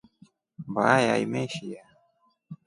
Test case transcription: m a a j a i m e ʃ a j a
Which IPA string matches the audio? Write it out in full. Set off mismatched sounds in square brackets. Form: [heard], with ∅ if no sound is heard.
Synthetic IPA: [b] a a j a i m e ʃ [i] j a

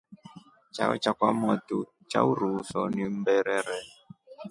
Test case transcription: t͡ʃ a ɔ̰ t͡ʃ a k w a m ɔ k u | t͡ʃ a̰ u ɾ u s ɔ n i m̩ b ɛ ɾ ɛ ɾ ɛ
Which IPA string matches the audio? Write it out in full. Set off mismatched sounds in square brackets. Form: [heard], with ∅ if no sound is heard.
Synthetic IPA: t͡ʃ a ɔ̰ t͡ʃ a k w a m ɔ [t] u | t͡ʃ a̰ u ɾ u s ɔ n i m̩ b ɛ ɾ ɛ ɾ ɛ

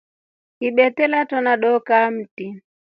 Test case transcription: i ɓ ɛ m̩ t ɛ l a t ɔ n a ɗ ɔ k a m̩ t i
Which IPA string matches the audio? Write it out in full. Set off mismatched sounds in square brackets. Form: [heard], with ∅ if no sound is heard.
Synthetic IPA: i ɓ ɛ [∅] t ɛ l a t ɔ n a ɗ ɔ k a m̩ t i

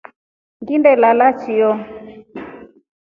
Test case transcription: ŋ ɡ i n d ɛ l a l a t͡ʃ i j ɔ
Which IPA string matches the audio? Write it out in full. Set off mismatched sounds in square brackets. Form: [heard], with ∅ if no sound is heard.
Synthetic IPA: ŋ ɡ i n d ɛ l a l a t͡ʃ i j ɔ

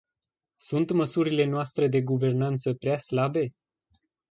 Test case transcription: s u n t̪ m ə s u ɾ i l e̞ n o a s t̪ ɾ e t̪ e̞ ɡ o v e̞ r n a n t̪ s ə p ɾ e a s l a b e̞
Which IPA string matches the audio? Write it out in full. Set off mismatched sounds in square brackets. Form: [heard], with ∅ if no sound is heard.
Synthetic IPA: s u n t̪ m ə s u ɾ i l e̞ n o a s t̪ ɾ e [d̪] e̞ ɡ [u] v e̞ r n a n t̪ s ə p ɾ e a s l a b e̞

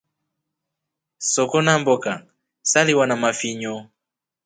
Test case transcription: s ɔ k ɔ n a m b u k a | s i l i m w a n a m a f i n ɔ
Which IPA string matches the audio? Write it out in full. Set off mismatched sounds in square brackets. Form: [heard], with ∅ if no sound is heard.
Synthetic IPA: s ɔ k ɔ n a m b [ɔ] k a | s [a] l i [∅] w a n a m a f i [ɲ] ɔ

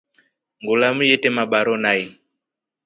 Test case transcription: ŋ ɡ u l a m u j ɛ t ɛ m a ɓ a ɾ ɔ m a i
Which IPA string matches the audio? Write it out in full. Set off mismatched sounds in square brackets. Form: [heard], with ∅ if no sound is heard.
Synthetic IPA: ŋ ɡ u l a m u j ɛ t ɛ m a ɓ a ɾ ɔ [n] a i

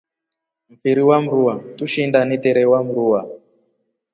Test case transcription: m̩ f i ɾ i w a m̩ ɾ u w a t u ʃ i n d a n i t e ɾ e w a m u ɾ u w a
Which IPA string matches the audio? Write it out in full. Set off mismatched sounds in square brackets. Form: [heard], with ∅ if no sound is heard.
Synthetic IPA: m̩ f i ɾ i w a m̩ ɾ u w a t u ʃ i n d a n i t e ɾ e w a m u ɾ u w a

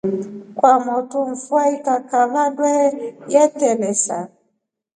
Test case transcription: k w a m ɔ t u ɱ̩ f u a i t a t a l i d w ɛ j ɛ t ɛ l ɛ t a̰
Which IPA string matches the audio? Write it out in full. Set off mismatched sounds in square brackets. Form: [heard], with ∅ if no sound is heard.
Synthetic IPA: k w a m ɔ t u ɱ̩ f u a i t a [k] a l [a] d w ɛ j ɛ t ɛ l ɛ [s] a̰

